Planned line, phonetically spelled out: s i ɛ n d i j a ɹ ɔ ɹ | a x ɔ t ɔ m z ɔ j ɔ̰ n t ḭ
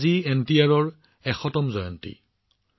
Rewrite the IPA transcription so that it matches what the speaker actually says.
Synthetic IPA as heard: z i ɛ n t i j a ɹ ɔ ɹ | ɛ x ɔ t ɔ m z ɔ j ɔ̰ n t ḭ